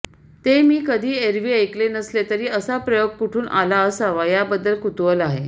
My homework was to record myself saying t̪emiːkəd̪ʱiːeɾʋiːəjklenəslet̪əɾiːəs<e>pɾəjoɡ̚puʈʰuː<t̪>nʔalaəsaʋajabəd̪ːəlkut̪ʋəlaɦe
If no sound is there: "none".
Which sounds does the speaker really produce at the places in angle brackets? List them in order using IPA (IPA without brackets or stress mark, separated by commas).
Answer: a, none